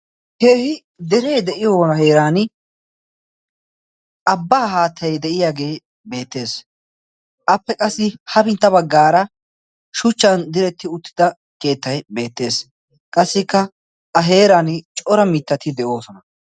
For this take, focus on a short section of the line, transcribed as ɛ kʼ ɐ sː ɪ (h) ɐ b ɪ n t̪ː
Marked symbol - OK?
yes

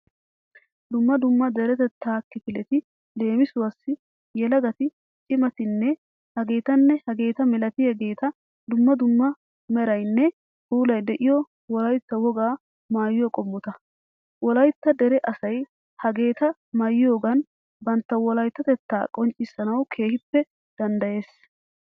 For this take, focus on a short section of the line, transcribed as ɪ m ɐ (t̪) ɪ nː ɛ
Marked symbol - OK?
yes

